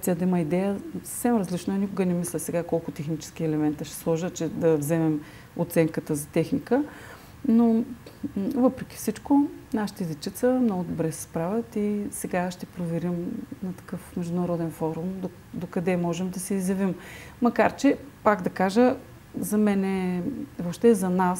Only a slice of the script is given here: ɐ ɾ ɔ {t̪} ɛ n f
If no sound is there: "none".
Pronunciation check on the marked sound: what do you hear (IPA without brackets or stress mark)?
d̪